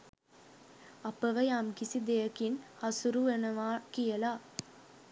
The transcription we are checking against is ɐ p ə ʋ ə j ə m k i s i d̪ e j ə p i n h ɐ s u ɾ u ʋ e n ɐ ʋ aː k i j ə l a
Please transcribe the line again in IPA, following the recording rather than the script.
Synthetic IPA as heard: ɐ p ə ʋ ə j a m k i s i d̪ e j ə k i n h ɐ s u ɾ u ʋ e n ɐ ʋ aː k i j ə l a